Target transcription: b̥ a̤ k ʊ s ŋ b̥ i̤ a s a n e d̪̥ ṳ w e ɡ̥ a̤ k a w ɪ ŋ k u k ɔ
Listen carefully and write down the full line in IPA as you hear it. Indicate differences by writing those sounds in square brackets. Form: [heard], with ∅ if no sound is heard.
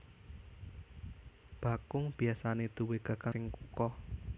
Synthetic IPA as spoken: b̥ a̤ k ʊ [∅] ŋ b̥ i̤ a s a n e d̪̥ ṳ w e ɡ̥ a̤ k a [∅] ɪ ŋ k u k ɔ